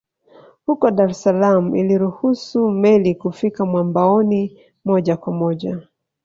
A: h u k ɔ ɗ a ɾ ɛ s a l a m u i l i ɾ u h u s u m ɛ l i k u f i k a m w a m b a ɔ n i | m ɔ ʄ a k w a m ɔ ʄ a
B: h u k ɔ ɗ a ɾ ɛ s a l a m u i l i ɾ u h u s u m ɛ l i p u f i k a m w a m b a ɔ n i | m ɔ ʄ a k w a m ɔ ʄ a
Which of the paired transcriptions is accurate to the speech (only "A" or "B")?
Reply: A